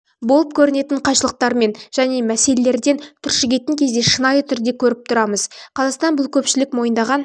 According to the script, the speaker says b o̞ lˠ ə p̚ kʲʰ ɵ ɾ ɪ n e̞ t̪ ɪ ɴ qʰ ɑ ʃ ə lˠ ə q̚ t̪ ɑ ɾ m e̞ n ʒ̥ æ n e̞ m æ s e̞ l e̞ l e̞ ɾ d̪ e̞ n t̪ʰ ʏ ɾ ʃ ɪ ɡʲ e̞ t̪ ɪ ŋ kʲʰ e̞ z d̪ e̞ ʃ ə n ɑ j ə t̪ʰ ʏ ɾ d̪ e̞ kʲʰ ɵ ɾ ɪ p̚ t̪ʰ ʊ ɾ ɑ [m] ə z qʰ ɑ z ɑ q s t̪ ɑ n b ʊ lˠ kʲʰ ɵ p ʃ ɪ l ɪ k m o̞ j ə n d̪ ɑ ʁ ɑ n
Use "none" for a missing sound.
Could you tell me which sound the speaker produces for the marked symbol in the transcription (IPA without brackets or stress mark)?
m